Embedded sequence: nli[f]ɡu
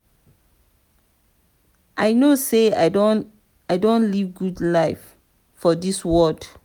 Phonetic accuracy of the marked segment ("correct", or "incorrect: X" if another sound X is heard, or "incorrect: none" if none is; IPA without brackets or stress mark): incorrect: v